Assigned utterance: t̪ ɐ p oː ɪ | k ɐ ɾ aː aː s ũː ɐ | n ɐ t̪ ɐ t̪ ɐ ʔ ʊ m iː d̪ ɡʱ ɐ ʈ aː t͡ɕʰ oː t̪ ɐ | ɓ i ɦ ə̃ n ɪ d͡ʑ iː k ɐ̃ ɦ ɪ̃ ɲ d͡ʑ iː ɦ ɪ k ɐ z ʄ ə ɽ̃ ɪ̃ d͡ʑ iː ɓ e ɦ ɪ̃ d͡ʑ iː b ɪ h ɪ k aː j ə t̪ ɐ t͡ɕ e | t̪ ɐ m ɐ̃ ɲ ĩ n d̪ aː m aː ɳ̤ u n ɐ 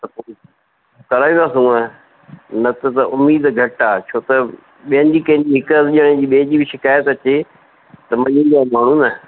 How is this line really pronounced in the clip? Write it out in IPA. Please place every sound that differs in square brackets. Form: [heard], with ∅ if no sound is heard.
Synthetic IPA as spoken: t̪ ɐ p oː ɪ | k ɐ ɾ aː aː s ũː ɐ | n ɐ t̪ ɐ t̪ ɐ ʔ ʊ m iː d̪ ɡʱ ɐ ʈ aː t͡ɕʰ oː t̪ ɐ | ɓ i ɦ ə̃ n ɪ d͡ʑ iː k ɐ̃ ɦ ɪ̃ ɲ d͡ʑ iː ɦ ɪ k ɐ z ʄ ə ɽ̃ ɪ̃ d͡ʑ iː ɓ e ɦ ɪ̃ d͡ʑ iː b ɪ [ʃ] ɪ k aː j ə t̪ ɐ t͡ɕ e | t̪ ɐ m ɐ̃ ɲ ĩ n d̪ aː m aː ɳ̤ u n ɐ